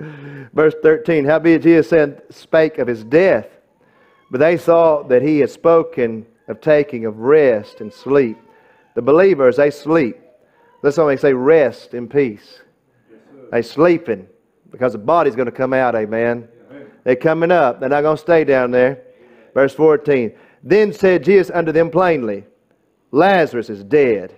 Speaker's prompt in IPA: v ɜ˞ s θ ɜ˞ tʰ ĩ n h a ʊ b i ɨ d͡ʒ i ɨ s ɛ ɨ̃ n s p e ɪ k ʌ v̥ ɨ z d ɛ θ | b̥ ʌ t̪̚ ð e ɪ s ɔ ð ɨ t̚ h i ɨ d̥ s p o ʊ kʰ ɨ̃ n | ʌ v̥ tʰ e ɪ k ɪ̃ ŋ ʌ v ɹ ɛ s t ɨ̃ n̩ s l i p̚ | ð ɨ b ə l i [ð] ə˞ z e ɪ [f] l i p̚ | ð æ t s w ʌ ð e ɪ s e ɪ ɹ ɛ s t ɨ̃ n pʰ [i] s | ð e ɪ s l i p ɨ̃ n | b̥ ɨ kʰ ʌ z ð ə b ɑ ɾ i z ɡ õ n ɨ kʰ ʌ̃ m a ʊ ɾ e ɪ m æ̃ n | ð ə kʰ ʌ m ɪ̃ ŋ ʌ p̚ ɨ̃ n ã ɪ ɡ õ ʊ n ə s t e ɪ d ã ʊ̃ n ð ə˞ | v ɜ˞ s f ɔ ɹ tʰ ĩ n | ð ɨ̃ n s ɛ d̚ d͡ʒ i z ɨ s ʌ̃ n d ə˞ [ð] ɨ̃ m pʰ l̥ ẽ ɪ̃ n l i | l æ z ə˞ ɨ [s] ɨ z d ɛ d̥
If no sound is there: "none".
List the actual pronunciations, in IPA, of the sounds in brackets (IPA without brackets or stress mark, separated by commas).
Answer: v, s, i, ð, s